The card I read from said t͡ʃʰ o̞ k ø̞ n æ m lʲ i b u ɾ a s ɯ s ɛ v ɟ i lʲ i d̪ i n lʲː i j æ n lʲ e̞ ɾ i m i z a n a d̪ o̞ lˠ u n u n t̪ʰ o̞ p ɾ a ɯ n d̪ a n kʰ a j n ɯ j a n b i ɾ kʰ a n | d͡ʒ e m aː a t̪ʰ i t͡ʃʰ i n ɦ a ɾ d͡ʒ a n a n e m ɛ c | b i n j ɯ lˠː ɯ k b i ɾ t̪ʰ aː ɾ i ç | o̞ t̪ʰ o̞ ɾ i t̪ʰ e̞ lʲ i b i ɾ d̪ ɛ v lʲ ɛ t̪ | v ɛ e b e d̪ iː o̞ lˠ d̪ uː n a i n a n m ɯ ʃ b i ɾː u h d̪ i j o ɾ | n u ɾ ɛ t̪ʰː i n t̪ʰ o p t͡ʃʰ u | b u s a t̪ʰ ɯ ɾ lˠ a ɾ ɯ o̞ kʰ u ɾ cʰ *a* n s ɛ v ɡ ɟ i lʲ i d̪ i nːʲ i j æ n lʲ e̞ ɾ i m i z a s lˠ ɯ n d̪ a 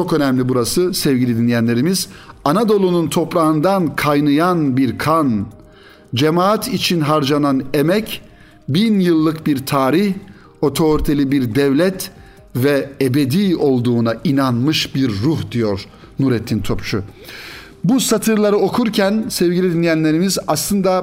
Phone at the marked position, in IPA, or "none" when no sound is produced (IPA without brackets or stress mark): æ